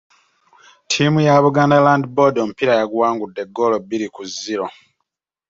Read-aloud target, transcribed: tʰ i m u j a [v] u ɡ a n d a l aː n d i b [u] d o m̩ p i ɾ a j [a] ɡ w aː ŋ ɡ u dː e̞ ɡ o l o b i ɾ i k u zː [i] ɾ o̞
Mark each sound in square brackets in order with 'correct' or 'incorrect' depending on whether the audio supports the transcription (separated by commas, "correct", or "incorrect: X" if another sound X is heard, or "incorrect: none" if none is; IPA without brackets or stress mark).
incorrect: β, incorrect: o, correct, correct